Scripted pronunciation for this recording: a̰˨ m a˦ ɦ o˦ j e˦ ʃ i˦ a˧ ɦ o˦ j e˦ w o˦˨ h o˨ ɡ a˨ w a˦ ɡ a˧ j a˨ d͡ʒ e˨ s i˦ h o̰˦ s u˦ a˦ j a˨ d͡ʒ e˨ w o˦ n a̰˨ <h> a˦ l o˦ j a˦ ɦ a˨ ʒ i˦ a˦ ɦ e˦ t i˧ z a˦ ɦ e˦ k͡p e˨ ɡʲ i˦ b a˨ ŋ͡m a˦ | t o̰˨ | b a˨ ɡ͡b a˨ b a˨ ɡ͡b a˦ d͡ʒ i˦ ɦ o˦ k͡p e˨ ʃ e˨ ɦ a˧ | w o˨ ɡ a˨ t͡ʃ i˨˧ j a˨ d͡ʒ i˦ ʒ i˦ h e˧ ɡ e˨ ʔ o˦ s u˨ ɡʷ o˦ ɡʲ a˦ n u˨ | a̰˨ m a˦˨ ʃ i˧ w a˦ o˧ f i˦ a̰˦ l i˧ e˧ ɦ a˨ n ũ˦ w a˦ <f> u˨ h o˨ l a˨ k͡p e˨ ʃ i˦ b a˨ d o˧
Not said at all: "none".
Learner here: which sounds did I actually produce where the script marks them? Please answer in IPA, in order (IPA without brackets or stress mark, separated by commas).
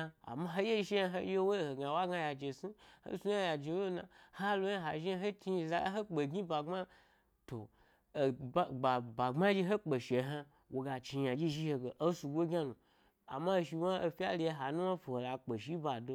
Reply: h, f